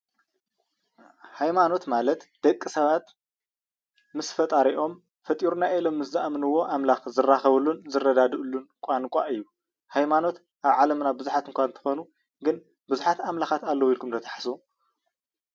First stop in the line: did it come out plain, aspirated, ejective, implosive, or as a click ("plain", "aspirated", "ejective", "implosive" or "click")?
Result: plain